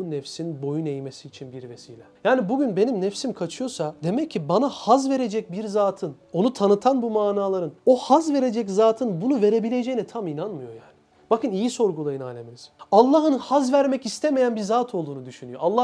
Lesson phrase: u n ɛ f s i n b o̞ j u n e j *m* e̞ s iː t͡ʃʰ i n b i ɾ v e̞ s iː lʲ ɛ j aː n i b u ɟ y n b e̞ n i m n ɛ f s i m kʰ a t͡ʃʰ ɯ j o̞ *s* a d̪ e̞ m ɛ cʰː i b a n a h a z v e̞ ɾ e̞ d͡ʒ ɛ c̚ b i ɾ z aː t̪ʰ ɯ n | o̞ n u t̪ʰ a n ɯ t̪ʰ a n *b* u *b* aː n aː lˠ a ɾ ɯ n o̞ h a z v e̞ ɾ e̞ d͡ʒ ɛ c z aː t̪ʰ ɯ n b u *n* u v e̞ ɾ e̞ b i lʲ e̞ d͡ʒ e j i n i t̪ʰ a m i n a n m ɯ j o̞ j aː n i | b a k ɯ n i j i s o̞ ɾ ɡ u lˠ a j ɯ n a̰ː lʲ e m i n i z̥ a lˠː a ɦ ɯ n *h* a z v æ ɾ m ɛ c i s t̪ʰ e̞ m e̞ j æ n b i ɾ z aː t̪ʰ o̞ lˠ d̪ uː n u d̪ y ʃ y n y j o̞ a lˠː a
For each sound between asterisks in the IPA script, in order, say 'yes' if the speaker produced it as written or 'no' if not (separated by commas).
yes, yes, yes, no, yes, yes